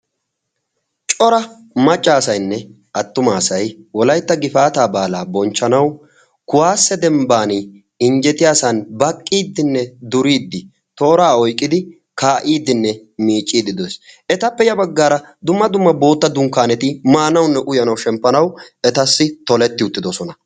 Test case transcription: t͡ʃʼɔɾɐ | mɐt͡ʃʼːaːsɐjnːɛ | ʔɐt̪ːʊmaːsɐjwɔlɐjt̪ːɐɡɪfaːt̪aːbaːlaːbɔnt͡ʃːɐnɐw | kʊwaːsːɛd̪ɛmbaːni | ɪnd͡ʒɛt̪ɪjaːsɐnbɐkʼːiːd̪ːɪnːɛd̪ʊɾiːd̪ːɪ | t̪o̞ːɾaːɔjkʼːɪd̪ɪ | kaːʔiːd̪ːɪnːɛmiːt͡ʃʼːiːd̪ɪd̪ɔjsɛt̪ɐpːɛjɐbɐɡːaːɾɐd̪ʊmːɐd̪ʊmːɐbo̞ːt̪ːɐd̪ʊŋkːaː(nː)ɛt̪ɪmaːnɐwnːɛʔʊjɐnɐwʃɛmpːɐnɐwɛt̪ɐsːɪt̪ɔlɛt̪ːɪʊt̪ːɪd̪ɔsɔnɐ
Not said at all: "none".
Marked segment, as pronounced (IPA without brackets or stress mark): n